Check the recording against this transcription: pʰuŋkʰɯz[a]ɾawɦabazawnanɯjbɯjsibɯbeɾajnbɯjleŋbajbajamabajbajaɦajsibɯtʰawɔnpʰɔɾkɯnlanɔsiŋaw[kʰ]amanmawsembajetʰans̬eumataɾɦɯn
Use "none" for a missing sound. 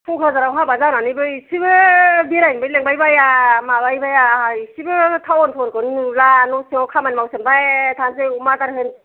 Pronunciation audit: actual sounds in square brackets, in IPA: a, kʰ

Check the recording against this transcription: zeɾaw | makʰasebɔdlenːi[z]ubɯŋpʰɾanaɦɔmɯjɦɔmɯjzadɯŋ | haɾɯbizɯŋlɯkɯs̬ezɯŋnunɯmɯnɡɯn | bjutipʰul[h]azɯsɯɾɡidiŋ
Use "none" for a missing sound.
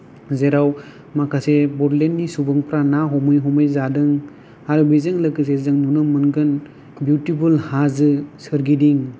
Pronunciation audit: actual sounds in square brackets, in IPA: s, h

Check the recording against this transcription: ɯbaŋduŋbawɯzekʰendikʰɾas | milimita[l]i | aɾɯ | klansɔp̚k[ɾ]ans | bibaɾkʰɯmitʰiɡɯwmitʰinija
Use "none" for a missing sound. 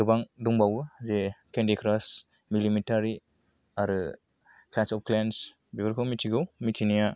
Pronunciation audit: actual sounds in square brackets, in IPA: ɾ, l

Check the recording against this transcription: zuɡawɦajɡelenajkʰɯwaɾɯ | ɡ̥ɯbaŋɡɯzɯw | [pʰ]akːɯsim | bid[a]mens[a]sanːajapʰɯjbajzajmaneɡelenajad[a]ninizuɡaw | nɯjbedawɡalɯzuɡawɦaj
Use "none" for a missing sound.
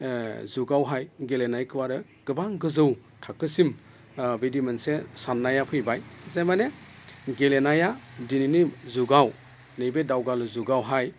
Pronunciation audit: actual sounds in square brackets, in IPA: tʰ, i, e, i

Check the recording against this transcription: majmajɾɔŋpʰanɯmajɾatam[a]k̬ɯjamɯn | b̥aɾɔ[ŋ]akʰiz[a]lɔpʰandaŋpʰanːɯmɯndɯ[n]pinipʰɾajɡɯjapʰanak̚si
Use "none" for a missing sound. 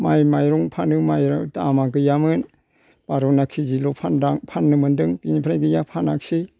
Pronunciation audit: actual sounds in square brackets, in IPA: a, n, i, ŋ

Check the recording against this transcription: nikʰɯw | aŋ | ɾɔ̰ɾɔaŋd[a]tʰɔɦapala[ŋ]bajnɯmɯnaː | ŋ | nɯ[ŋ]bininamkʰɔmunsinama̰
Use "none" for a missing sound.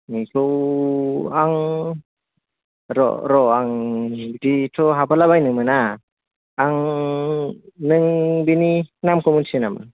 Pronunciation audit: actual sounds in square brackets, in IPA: i, none, ŋ

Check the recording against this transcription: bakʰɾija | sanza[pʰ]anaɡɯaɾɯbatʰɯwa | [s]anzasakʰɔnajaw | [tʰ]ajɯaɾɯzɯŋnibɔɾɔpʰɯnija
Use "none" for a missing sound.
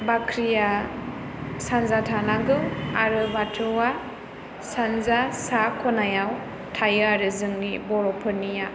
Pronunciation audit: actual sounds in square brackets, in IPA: tʰ, s, tʰ

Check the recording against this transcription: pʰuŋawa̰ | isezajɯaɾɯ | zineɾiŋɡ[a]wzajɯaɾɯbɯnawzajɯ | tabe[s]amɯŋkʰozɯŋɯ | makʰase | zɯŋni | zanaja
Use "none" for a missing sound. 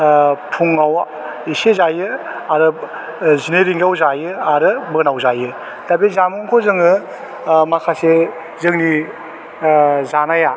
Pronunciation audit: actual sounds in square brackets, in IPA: a, z

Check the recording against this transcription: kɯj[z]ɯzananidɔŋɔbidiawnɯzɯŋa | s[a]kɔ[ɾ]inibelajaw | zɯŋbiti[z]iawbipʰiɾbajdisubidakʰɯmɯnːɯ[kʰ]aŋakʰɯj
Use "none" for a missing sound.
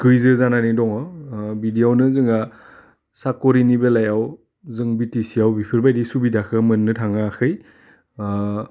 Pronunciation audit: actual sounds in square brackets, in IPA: z, a, ɾ, s, tʰ

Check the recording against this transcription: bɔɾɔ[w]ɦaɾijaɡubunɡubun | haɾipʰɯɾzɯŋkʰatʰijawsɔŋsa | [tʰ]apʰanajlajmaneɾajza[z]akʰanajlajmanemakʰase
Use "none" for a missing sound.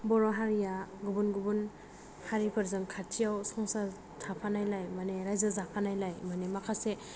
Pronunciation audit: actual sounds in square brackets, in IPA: none, tʰ, z

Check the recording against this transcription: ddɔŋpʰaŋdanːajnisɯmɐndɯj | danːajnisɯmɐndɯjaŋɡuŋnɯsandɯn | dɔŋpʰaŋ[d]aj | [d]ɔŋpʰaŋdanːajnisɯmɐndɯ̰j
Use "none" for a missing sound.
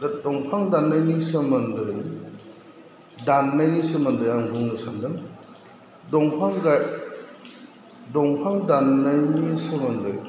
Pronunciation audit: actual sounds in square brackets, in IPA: ɡ, d

